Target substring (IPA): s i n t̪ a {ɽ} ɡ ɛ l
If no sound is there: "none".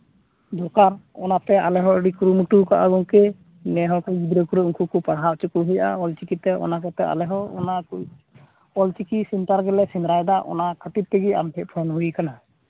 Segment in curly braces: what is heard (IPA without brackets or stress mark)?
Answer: ɾ